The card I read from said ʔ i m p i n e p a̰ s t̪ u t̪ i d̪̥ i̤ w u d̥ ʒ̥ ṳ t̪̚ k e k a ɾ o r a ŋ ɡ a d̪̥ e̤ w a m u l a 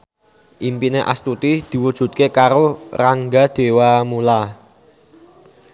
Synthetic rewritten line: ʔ i m p i n e ʔ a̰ s t̪ u t̪ i d̪̥ i̤ w u d̥ ʒ̥ ṳ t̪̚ k e k a ɾ o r a ŋ ɡ a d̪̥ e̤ w a m u l a